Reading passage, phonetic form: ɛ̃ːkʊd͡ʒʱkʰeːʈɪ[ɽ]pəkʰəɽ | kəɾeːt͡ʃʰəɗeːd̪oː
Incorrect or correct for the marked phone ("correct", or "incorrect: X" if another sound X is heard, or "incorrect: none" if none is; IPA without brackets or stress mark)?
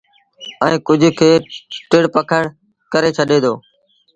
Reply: correct